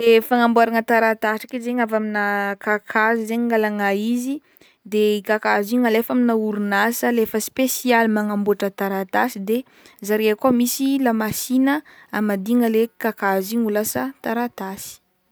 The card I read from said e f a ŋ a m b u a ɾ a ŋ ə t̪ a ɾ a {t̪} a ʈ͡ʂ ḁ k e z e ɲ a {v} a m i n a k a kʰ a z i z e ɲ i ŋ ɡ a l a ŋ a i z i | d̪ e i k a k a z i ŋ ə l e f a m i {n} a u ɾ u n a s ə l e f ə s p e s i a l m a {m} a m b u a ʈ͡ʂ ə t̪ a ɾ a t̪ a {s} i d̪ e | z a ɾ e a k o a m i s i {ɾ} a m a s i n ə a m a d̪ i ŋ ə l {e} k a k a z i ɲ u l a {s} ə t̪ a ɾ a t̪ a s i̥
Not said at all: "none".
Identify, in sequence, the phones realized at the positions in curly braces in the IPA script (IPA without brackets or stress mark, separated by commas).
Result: t̪, v, n, ŋ, s, l, e, s